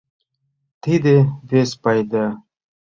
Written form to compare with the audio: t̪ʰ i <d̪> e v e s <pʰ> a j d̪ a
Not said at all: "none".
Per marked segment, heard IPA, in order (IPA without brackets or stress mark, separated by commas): d̪, p